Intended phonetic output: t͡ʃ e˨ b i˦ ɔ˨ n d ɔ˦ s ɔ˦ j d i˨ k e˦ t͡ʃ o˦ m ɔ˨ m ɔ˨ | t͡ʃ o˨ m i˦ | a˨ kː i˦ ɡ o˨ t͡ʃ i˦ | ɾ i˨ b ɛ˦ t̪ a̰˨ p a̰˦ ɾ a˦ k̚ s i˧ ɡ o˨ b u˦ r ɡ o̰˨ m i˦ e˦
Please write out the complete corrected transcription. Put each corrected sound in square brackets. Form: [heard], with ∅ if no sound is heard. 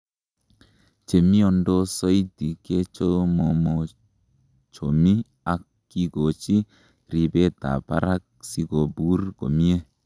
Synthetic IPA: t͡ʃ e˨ [m] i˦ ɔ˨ n d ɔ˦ s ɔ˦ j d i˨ k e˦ t͡ʃ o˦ m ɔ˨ m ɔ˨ | t͡ʃ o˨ m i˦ | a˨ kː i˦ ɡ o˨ t͡ʃ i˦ | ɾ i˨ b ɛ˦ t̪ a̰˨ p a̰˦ ɾ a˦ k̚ s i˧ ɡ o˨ b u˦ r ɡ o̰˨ m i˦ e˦